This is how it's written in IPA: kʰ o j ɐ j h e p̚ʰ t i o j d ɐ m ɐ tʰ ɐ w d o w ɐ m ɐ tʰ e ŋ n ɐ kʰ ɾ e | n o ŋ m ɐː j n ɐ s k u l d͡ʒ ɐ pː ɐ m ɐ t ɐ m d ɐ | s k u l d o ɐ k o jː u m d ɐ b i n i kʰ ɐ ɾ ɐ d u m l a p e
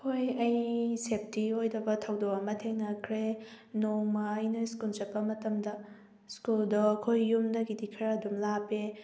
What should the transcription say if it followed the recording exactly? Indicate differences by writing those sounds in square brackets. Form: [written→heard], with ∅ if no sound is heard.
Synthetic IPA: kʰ o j ɐ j [h→s] e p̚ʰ t i o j d ɐ [m→b] ɐ tʰ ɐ w d o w ɐ m ɐ tʰ e ŋ n ɐ kʰ ɾ e | n o ŋ m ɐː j n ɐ s k u l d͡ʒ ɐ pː ɐ m ɐ t ɐ m d ɐ | s k u l d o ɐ [k→kʰ] o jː u m d ɐ [b→ɡ] i [n→d] i kʰ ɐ ɾ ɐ d u m l a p e